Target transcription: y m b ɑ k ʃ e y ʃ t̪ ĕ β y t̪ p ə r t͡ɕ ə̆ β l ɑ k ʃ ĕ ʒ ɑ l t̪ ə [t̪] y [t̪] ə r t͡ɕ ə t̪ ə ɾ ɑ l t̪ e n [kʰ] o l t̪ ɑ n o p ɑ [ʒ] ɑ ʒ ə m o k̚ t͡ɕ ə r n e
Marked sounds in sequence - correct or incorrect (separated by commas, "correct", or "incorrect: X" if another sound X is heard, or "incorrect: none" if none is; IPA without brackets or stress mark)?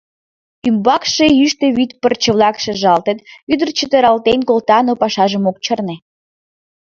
correct, incorrect: d̪, incorrect: k, incorrect: ʃ